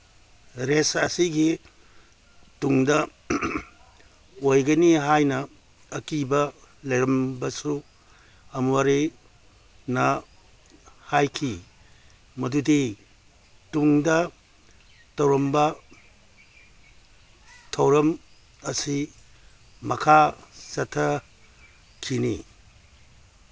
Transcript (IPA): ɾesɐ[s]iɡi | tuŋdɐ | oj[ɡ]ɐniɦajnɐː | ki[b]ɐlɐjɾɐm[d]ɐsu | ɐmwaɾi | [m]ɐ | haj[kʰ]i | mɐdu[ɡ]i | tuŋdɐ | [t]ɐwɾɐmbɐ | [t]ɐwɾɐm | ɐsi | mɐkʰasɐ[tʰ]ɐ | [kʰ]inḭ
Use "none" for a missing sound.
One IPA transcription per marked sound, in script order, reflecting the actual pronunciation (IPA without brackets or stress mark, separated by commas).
s, ɡ, b, b, n, kʰ, d, t, tʰ, tʰ, kʰ